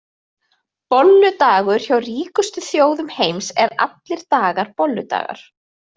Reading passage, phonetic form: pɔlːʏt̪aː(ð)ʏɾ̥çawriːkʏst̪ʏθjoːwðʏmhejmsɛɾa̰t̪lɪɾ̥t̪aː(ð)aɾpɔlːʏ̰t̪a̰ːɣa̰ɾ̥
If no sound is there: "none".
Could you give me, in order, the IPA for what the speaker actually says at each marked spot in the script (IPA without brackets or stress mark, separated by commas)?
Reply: ɣ, ɣ